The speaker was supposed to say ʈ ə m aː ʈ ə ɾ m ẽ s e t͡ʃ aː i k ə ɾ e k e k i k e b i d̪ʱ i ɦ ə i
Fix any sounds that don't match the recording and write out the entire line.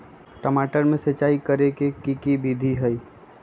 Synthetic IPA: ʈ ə m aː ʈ ə ɾ m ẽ s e t͡ʃ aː i k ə ɾ e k e k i k i b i d̪ʱ i ɦ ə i